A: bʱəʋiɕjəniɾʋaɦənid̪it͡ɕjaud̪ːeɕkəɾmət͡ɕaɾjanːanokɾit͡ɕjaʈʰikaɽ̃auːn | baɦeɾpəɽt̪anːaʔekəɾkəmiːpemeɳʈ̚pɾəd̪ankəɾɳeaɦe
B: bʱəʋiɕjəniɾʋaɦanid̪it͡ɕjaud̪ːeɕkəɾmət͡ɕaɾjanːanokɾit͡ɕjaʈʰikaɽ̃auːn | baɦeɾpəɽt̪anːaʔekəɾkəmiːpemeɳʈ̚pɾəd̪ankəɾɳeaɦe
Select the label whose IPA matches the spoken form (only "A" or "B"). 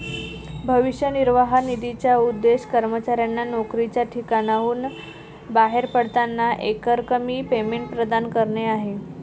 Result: B